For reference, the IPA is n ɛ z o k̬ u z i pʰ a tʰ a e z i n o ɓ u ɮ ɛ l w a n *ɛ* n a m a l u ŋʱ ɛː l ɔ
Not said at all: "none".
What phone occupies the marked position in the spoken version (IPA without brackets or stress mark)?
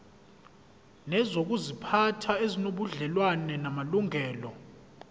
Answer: ɛ